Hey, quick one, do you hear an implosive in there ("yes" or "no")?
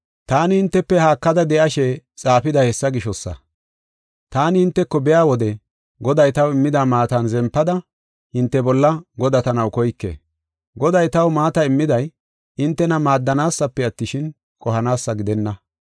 no